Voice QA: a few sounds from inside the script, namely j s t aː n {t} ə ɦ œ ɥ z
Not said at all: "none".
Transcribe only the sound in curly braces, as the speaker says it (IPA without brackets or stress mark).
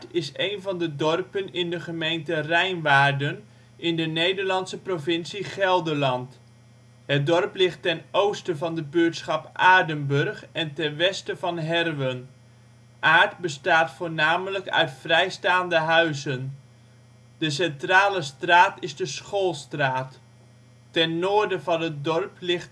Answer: d